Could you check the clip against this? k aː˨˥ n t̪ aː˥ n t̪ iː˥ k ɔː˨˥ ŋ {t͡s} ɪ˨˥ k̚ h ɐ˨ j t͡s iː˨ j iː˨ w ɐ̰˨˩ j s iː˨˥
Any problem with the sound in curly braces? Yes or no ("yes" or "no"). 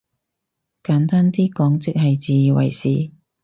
no